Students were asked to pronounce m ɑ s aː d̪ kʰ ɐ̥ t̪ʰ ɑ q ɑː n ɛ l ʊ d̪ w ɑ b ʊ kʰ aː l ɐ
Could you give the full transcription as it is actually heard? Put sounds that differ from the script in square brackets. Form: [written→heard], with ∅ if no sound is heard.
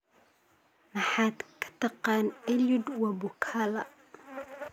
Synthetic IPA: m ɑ [s→ħ] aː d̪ kʰ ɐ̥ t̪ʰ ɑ q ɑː n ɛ l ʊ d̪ w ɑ b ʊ kʰ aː l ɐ